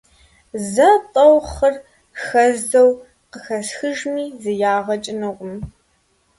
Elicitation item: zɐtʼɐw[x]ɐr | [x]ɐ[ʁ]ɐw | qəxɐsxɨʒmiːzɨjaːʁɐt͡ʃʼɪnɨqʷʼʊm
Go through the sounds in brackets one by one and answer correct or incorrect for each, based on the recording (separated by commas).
incorrect, correct, incorrect